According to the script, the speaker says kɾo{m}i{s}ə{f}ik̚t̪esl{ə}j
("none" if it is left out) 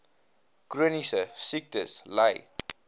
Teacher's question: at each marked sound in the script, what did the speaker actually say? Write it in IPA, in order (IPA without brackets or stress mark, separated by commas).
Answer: n, s, s, a